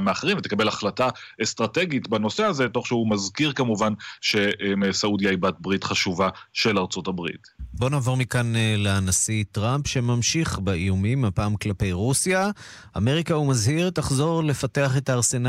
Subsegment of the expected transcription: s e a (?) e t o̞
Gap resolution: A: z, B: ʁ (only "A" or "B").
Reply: A